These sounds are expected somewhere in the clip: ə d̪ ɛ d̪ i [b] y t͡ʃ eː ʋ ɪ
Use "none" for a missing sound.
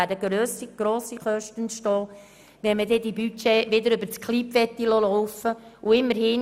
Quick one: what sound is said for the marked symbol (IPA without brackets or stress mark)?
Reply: b